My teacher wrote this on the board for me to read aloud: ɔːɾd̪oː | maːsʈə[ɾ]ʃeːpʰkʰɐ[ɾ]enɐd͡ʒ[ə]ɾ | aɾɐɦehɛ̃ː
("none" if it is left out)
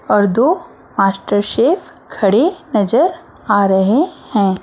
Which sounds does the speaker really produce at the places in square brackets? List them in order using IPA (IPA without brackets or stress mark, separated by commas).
ɾ, ɽ, ə